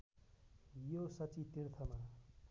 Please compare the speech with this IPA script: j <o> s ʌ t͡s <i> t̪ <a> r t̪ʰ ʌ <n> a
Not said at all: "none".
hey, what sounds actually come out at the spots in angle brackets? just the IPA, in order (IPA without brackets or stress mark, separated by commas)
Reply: o, i, i, m